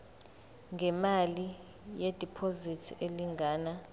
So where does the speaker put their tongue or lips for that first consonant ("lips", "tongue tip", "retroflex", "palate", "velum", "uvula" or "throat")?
velum